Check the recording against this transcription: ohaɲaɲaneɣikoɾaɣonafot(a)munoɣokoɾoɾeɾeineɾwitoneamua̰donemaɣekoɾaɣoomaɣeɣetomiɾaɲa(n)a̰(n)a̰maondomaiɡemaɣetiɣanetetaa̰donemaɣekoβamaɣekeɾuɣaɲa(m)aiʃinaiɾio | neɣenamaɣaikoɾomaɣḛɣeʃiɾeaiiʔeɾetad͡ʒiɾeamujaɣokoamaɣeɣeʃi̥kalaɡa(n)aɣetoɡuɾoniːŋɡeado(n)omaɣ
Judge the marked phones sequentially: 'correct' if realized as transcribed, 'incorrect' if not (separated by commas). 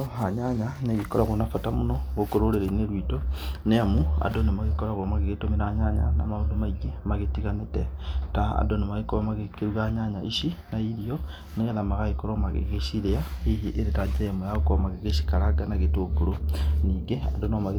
correct, incorrect, correct, incorrect, correct, correct